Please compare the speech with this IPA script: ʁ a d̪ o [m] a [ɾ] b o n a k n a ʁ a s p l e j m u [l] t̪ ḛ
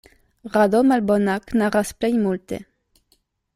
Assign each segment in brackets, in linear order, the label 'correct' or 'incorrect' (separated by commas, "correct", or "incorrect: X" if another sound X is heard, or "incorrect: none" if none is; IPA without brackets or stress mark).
correct, incorrect: l, correct